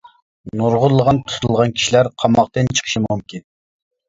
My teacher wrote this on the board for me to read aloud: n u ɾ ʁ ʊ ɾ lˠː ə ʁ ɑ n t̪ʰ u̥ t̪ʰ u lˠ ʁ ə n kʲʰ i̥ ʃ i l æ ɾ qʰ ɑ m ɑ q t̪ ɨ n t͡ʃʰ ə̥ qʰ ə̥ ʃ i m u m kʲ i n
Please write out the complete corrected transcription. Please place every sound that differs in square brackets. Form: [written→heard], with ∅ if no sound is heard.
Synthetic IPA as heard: n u ɾ ʁ ʊ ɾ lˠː ə ʁ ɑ n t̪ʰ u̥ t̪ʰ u lˠ ʁ [ə→ɑ] n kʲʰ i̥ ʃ i l æ ɾ qʰ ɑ m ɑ q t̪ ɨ n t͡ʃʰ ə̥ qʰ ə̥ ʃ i m u m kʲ i n